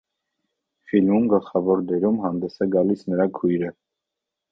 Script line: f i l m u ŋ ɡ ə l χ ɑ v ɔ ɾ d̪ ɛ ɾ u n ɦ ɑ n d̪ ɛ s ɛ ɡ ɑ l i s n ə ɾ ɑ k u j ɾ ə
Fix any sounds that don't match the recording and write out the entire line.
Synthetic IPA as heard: f i l m u m ɡ ə l χ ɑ v ɔ ɾ d̪ ɛ ɾ u m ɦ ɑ n d̪ ɛ s ɛ ɡ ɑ l i s n ə ɾ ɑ kʰ u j ɾ ə

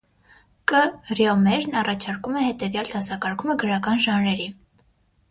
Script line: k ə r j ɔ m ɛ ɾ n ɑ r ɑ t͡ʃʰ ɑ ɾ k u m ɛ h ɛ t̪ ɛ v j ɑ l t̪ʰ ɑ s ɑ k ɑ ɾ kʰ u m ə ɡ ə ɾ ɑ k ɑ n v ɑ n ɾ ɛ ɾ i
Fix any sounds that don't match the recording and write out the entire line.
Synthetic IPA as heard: k ə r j ɔ m ɛ ɾ n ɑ r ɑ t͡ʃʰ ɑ ɾ k u m ɛ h ɛ t̪ ɛ v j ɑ l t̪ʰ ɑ s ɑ k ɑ ɾ kʰ u m ə ɡ ə ɾ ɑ k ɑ n ʒ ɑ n ɾ ɛ ɾ i

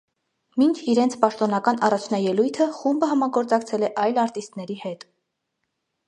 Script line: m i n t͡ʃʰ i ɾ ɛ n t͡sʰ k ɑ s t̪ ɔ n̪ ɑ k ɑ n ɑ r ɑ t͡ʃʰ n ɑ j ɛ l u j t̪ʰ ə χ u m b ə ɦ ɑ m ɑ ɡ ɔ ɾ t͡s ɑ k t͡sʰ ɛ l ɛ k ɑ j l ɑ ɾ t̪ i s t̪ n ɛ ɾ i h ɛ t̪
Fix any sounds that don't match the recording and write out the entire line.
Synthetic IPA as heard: m i n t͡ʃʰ i ɾ ɛ n t͡sʰ p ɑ ʃ t̪ ɔ n̪ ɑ k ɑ n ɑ r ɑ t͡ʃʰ n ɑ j ɛ l u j t̪ʰ ə χ u m b ə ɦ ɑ m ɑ ɡ ɔ ɾ t͡s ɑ k t͡sʰ ɛ l ɛ ʔ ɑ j l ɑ ɾ t̪ i s t̪ n ɛ ɾ i h ɛ t̪

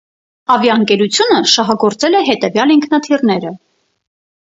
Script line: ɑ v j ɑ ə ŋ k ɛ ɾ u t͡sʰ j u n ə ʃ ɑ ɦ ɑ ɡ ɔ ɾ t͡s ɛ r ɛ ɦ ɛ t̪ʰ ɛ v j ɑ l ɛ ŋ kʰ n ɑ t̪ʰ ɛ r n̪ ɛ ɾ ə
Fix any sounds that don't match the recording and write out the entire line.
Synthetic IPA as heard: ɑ v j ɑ ə ŋ k ɛ ɾ u t͡sʰ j u n ə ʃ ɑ ɦ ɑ ɡ ɔ ɾ t͡s ɛ l ɛ ɦ ɛ t̪ ɛ v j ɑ l i ŋ kʰ n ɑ t̪ʰ i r n̪ ɛ ɾ ə

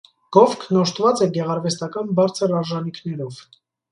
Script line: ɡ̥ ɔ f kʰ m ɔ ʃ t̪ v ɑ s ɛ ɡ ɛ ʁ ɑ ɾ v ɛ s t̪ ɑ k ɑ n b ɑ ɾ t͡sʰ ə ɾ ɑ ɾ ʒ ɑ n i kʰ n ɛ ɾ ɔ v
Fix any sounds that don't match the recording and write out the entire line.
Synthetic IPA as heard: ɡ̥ ɔ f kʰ n ɔ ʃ t̪ v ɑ t͡s ɛ ɡ ɛ ʁ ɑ ɾ v ɛ s t̪ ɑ k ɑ n b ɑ ɾ t͡sʰ ə ɾ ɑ ɾ ʒ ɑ n i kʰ n ɛ ɾ ɔ v

